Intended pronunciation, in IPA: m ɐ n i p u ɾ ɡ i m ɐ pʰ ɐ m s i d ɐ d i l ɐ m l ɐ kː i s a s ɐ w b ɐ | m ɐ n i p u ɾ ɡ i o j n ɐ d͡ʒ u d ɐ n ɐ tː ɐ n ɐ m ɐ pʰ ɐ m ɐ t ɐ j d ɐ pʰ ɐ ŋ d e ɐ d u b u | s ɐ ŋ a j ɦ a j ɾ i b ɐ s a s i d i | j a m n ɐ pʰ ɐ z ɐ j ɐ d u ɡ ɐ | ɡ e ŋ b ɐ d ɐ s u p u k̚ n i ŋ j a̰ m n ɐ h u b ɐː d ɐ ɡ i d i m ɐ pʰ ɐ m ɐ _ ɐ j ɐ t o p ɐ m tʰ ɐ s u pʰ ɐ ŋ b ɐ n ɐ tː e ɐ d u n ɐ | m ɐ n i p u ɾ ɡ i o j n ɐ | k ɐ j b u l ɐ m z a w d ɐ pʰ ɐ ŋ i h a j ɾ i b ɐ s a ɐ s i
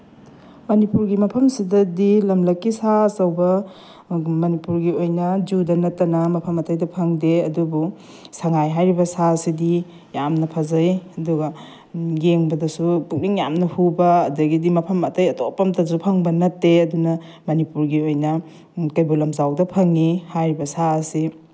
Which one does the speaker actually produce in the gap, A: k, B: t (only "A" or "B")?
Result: B